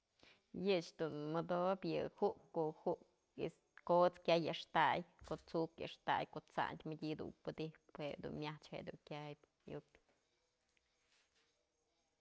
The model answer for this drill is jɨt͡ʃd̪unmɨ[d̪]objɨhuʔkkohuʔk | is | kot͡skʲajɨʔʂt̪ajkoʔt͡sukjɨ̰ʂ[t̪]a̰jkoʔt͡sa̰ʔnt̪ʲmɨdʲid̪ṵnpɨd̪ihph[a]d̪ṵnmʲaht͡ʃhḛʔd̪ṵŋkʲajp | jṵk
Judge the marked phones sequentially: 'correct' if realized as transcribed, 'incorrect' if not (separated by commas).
correct, correct, incorrect